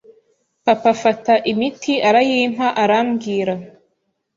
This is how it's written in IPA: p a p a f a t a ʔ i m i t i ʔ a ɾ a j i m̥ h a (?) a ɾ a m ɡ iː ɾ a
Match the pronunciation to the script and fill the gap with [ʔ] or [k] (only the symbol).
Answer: ʔ